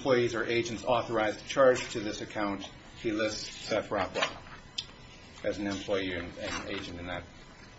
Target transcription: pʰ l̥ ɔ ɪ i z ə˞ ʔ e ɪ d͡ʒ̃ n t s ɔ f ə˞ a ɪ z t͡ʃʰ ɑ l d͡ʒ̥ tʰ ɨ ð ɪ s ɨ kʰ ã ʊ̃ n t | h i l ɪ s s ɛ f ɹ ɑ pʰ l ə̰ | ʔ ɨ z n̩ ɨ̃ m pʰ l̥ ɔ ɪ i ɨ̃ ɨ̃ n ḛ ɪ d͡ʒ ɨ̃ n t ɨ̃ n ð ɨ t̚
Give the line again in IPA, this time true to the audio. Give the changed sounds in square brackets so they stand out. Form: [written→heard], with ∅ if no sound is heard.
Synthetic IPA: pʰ l̥ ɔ ɪ i z ə˞ ʔ e ɪ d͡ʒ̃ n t s ɔ [f→θ] ə˞ a ɪ z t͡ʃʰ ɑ [l→ɹ] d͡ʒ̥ tʰ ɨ ð ɪ s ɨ kʰ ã ʊ̃ n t | h i l ɪ s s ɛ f ɹ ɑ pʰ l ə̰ | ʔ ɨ z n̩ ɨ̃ m pʰ l̥ ɔ ɪ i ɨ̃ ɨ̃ n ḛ ɪ d͡ʒ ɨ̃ n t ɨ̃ n ð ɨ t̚